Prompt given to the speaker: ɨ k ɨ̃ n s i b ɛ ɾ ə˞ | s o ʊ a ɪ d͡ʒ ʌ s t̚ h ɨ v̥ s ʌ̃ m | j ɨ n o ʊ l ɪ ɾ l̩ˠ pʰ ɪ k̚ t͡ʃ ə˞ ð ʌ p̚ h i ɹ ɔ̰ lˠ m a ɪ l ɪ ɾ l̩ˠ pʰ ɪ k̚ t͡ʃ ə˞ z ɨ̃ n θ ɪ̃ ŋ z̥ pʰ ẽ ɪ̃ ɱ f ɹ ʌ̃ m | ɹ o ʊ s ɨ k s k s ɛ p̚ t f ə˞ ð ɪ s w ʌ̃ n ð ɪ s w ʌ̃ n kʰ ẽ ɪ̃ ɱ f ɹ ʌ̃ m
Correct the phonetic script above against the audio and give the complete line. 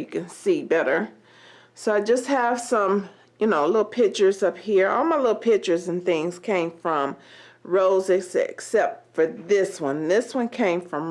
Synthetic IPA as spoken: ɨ k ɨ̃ n s i b ɛ ɾ ə˞ | s o ʊ a ɪ d͡ʒ ʌ s t̚ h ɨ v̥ s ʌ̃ m | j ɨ n o ʊ l ɪ ɾ l̩ˠ pʰ ɪ k̚ t͡ʃ ə˞ z ʌ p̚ h i ɹ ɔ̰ lˠ m a ɪ l ɪ ɾ l̩ˠ pʰ ɪ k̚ t͡ʃ ə˞ z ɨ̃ n θ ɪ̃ ŋ z̥ kʰ ẽ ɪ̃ ɱ f ɹ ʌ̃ m | ɹ o ʊ z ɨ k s k s ɛ p̚ t f ə˞ ð ɪ s w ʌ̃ n ð ɪ s w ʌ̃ n kʰ ẽ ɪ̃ ɱ f ɹ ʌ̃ m